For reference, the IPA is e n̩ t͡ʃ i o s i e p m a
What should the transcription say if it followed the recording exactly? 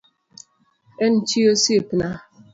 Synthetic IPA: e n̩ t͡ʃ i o s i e p n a